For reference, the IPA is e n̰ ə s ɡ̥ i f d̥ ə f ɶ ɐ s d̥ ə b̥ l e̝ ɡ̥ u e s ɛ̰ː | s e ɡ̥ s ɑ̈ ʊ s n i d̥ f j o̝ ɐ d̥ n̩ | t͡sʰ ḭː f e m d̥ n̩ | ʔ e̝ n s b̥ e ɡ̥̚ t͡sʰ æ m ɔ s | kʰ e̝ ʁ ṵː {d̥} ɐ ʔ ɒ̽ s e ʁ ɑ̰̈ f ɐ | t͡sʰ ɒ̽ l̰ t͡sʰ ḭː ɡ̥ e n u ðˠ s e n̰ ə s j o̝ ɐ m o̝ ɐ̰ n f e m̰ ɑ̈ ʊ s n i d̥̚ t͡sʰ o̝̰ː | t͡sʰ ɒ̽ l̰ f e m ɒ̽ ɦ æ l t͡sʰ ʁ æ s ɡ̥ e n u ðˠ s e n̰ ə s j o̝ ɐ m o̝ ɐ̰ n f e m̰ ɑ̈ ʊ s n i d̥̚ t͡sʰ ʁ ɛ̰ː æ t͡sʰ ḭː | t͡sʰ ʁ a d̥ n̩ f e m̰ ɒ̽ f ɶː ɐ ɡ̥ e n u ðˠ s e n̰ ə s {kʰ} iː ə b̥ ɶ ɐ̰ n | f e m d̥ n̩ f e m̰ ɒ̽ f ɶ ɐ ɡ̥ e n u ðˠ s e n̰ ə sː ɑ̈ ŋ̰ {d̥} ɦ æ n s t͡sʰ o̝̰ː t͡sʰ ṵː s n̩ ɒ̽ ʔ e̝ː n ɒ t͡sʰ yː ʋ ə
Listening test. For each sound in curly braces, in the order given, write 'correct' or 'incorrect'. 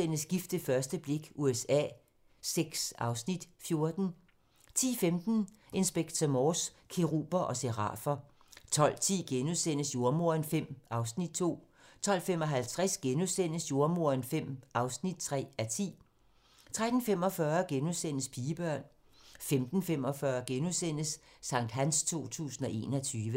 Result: incorrect: b̥, incorrect: pʰ, correct

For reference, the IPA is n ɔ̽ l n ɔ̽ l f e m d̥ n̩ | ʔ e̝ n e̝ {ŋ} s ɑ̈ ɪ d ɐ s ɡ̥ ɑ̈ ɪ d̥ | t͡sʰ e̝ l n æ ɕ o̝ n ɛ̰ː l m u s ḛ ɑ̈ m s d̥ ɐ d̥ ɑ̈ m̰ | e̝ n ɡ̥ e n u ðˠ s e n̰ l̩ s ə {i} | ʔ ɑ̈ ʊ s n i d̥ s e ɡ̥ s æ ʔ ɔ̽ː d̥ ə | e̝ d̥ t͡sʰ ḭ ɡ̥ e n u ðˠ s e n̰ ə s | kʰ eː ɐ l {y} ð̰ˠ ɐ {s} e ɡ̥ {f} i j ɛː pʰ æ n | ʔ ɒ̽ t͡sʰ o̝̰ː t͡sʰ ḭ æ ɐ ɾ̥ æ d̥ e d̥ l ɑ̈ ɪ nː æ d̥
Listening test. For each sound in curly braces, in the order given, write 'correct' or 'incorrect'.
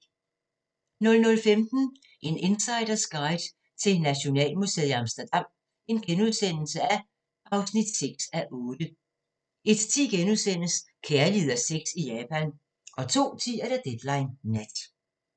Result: incorrect: n, incorrect: æ, incorrect: i, correct, incorrect: s

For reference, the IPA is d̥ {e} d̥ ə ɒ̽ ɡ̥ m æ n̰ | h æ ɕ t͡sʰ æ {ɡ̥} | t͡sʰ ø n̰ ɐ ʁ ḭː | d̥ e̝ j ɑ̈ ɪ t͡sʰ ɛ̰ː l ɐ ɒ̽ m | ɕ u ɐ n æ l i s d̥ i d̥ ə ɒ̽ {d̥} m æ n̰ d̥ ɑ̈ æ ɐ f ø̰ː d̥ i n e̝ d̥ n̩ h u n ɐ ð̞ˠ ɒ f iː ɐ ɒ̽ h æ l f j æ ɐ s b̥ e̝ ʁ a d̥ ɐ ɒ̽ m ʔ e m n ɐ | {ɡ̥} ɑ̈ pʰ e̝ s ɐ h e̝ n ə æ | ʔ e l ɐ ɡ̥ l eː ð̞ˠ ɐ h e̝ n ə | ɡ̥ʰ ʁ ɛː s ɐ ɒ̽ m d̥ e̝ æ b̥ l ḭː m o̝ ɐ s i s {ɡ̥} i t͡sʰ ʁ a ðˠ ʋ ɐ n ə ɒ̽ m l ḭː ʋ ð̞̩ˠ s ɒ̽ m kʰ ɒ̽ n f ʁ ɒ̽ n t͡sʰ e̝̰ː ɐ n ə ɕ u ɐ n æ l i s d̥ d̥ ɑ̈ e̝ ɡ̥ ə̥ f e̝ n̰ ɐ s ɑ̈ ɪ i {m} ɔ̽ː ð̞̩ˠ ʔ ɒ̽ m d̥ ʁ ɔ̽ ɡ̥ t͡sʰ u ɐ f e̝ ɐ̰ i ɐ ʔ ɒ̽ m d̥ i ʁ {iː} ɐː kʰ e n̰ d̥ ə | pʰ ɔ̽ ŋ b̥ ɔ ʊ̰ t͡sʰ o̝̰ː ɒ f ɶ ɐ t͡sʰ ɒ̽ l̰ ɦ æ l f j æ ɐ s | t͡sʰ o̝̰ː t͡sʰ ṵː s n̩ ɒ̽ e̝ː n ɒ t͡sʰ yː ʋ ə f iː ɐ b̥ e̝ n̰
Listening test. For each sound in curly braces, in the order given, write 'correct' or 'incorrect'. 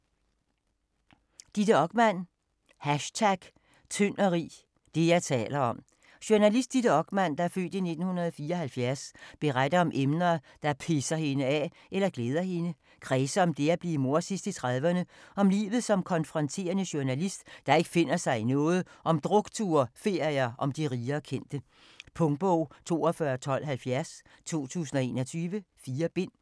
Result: incorrect: i, correct, incorrect: ɡ̥, incorrect: d̥, incorrect: d̥, incorrect: n, correct

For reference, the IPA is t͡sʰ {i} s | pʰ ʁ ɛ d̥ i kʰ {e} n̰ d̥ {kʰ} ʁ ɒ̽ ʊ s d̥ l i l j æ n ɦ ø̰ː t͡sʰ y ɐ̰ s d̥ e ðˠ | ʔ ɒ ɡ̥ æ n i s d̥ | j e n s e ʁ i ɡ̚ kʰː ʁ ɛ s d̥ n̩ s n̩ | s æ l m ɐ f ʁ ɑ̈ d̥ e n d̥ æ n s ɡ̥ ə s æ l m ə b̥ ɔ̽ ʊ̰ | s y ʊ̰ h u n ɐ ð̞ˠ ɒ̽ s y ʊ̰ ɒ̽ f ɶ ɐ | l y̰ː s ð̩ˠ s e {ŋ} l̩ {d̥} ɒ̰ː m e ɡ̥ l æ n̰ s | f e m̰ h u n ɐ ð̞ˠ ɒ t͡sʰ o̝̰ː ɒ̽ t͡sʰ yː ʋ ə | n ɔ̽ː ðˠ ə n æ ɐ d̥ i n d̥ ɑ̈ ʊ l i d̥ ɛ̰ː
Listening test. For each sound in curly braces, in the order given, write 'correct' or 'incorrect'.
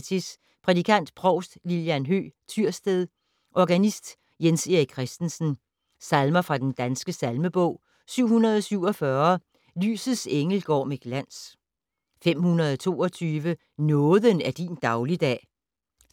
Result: correct, incorrect: æ, incorrect: pʰ, correct, incorrect: ɡ̥

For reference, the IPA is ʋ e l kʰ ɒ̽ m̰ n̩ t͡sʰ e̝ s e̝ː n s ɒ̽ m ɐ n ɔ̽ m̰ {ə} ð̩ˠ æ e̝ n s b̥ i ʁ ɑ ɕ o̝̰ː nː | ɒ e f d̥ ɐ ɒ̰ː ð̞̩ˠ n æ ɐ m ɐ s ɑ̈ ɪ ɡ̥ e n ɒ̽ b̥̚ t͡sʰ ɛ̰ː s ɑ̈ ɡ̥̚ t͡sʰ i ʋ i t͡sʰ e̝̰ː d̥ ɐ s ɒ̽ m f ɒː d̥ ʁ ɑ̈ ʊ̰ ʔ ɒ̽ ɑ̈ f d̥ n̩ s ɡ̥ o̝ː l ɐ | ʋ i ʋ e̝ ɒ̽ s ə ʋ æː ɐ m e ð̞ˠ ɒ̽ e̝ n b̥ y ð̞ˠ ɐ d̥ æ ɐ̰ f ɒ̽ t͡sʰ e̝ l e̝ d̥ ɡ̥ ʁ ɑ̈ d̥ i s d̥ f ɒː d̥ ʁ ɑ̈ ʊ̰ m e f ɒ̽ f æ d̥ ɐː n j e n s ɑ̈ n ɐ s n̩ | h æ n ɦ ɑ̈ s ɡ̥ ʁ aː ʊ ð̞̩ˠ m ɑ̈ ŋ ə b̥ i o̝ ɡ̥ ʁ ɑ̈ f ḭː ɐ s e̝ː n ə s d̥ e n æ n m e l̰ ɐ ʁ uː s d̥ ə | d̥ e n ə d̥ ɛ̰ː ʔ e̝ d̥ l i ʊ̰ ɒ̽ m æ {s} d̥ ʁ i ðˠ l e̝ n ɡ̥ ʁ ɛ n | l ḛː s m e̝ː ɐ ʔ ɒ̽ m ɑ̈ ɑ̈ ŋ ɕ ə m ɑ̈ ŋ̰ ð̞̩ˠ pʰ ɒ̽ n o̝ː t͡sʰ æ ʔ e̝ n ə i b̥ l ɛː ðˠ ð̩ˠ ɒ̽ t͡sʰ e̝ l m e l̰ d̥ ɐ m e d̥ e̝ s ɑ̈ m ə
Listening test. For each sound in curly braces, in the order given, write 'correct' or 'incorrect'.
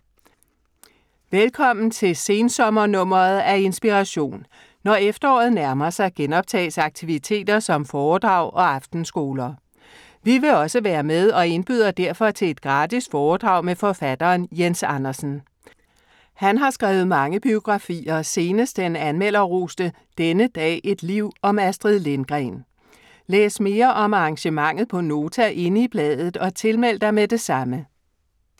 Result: incorrect: ɐ, correct

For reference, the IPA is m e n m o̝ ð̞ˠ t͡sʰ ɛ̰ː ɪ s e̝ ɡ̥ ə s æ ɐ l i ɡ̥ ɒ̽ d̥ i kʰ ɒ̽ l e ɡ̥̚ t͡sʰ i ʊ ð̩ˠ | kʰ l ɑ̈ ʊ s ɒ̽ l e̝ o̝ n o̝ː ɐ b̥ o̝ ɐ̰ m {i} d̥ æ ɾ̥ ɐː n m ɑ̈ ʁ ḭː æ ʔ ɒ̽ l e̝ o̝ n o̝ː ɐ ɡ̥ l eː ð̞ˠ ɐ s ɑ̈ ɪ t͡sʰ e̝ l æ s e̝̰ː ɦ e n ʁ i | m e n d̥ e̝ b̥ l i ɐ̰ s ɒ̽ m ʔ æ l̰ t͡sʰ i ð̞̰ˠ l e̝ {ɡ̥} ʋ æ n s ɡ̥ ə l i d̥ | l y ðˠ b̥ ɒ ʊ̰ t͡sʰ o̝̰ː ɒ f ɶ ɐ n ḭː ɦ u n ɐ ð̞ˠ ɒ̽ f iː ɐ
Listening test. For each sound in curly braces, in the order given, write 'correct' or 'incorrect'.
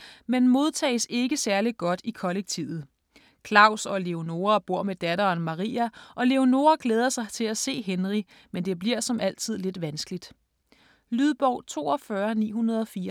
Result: incorrect: e, incorrect: d̥

